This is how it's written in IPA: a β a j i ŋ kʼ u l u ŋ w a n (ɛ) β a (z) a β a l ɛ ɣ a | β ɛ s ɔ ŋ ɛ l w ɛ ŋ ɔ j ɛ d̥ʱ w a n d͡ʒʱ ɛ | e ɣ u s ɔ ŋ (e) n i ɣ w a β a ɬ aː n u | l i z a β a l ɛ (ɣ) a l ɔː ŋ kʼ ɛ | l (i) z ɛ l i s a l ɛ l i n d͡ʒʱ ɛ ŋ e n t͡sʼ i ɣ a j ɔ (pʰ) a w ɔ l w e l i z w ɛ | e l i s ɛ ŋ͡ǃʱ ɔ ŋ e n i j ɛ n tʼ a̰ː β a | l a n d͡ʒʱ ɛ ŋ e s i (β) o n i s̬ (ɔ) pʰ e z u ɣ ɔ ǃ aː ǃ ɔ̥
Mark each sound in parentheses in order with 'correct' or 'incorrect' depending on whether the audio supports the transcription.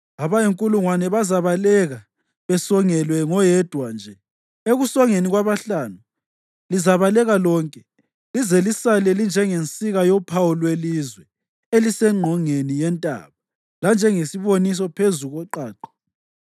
correct, correct, correct, correct, correct, correct, correct, correct

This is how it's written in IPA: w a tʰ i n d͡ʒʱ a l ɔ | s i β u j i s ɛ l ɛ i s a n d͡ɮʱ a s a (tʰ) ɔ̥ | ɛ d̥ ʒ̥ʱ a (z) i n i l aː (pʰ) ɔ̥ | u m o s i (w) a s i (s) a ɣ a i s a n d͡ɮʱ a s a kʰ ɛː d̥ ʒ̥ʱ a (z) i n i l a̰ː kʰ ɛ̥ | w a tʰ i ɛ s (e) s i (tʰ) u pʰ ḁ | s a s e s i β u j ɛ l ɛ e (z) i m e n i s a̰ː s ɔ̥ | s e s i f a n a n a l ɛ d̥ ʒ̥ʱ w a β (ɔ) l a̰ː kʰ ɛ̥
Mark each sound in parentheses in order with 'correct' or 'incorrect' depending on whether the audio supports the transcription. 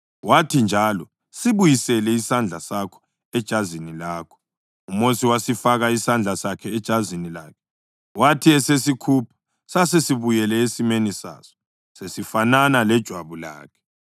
incorrect: kʰ, correct, incorrect: kʰ, correct, incorrect: f, correct, correct, incorrect: kʰ, incorrect: s, incorrect: u

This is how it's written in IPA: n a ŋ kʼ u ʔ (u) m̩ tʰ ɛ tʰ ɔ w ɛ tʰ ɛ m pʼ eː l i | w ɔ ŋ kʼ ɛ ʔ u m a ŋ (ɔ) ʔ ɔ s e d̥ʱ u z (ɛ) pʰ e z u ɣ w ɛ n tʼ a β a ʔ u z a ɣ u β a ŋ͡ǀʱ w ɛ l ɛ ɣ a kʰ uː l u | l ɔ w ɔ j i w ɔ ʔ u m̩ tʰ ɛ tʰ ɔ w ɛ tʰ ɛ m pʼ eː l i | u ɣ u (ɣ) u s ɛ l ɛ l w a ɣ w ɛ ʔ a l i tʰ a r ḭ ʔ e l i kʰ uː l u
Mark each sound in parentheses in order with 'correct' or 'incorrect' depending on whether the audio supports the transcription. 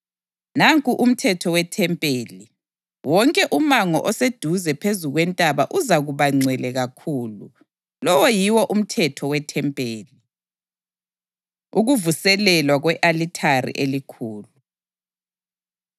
correct, correct, correct, incorrect: v

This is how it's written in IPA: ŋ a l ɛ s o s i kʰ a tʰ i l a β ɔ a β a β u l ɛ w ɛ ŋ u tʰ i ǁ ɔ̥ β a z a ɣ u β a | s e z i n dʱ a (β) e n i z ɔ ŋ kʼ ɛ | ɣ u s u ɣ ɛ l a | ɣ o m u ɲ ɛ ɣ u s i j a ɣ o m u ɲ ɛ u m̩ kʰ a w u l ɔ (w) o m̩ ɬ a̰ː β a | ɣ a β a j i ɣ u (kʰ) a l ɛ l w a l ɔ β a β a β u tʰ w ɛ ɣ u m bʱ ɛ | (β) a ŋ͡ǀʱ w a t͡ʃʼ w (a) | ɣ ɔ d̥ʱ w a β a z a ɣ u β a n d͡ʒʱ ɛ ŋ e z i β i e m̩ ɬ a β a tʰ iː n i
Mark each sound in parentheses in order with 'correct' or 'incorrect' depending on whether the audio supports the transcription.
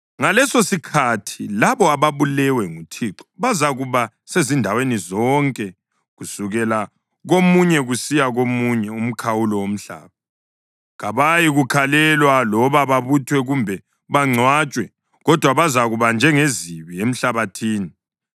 incorrect: w, correct, correct, correct, incorrect: ɛ

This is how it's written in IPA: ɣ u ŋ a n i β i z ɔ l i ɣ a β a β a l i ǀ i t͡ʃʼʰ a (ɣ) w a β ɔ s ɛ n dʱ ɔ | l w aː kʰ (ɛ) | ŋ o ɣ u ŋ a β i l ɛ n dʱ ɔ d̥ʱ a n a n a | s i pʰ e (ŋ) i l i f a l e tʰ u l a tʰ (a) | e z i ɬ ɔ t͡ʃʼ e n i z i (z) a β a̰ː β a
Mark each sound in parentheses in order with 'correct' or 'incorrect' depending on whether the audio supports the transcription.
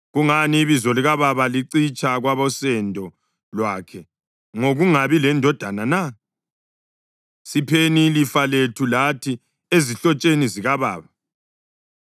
correct, correct, incorrect: n, incorrect: i, incorrect: ɣ

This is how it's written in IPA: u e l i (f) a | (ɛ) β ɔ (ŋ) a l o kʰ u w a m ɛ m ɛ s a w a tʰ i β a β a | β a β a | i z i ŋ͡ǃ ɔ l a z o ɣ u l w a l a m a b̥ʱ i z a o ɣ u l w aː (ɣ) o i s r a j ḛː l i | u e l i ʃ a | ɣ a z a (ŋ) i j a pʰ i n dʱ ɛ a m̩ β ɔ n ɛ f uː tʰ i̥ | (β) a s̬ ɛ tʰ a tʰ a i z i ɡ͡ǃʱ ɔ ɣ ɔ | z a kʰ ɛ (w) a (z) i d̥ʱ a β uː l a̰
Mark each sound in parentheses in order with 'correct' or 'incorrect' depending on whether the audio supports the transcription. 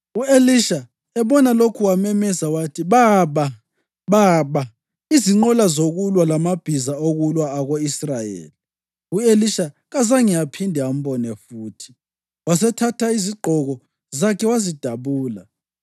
incorrect: ʃ, correct, incorrect: n, correct, correct, incorrect: w, correct, correct

